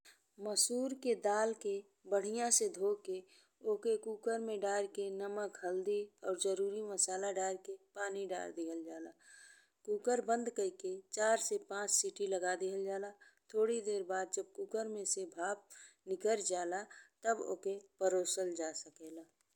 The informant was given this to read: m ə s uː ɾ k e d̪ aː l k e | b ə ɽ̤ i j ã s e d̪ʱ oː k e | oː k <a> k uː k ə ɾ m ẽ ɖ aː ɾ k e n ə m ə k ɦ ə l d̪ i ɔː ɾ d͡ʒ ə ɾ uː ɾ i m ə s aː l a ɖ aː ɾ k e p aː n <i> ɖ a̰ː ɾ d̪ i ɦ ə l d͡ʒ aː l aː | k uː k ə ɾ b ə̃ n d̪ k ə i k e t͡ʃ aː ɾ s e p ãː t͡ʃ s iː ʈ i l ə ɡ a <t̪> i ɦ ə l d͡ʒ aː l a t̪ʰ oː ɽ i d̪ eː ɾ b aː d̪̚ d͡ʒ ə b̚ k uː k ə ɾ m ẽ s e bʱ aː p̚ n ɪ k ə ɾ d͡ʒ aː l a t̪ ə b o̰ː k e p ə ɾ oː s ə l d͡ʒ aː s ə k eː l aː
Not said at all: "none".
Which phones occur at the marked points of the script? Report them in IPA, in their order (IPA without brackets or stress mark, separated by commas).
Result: e, i, d̪